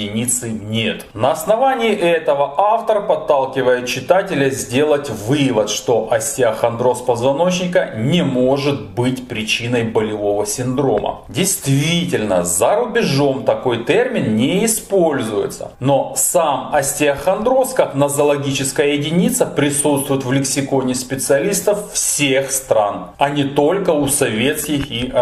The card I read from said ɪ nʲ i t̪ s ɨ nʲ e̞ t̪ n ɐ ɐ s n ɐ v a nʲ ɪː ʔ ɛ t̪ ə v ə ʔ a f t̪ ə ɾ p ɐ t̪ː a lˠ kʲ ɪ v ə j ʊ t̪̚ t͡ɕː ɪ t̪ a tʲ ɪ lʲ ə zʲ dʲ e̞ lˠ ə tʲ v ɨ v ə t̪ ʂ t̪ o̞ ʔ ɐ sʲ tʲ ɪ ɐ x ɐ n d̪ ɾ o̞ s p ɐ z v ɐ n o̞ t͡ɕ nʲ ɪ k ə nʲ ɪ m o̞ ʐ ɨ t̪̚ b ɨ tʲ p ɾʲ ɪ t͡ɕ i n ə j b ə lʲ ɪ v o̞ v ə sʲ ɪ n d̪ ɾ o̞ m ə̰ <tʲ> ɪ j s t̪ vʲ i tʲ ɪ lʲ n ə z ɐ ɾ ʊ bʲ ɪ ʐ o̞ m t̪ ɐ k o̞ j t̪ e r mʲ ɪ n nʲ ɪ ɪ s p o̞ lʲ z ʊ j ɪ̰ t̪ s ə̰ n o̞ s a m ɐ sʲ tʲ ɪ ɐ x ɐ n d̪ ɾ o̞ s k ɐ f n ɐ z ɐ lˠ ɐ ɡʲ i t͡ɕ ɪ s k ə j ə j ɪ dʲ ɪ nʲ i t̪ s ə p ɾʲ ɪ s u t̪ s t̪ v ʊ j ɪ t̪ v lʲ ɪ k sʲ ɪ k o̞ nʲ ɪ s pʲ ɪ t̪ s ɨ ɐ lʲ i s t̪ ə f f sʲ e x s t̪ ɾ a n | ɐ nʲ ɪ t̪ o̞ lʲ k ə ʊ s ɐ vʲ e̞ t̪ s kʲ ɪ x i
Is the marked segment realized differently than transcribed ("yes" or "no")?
yes